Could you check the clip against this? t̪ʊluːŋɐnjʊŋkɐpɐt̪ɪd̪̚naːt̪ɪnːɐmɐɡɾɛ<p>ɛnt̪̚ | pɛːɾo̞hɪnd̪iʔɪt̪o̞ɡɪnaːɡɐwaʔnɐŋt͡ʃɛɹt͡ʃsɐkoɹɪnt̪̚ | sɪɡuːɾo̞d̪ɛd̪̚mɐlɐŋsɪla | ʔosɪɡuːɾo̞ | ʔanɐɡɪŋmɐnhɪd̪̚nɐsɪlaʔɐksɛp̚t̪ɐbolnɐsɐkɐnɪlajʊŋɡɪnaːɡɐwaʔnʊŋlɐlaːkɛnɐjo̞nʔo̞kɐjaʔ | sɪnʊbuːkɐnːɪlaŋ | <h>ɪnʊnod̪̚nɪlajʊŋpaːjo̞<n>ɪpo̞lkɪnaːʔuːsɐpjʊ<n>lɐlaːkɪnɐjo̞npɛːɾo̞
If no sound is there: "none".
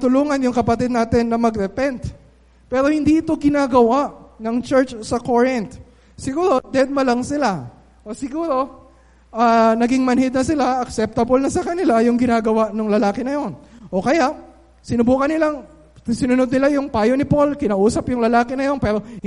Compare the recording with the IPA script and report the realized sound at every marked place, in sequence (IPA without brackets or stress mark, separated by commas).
p, s, n, ŋ